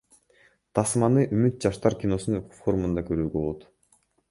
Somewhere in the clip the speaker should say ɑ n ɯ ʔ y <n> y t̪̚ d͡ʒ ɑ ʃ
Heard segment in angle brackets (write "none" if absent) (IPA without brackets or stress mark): m